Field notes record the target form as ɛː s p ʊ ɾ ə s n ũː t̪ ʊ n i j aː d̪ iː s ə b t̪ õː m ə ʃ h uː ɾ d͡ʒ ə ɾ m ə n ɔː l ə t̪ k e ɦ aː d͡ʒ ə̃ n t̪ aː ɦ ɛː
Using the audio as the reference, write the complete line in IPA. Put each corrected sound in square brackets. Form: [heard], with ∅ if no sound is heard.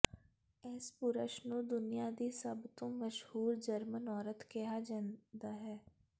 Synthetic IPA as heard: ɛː s p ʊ ɾ ə [ʃ] n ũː [d̪] ʊ n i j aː d̪ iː s ə b t̪ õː m ə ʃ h uː ɾ d͡ʒ ə ɾ m ə n ɔː [ɾ] ə t̪ k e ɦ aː d͡ʒ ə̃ n [d̪] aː ɦ ɛː